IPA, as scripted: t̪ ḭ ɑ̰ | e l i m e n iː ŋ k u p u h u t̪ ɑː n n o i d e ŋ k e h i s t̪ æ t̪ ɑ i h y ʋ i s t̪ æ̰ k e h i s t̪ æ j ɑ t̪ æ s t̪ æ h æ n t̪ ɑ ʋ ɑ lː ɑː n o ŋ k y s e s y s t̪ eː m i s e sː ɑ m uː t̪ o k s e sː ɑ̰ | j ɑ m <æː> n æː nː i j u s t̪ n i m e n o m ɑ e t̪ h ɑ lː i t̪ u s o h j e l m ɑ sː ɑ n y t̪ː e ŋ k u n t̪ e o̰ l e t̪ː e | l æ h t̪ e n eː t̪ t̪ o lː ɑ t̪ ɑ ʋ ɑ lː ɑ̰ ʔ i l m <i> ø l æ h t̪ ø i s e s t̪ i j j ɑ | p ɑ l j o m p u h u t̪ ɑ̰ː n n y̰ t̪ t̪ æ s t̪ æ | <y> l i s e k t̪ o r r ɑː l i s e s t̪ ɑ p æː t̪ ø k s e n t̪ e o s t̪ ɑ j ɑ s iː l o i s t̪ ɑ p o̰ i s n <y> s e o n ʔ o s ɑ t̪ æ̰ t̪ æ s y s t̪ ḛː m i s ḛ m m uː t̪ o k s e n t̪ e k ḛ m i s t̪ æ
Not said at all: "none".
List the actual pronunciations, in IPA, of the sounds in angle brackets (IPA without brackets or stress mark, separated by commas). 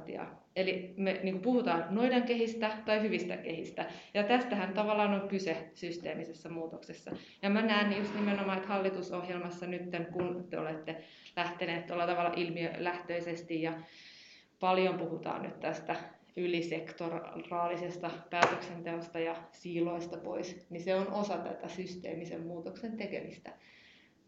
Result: æ, i, y, i